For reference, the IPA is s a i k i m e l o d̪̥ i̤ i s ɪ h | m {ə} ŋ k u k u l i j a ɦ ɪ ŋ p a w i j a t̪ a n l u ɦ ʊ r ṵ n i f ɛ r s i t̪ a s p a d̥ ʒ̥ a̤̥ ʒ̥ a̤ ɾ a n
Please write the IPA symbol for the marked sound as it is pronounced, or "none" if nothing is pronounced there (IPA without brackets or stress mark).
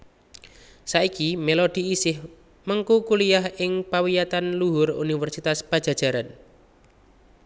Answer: ə